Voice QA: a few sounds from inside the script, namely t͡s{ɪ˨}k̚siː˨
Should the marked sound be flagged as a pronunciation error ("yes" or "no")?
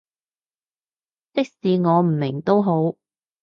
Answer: yes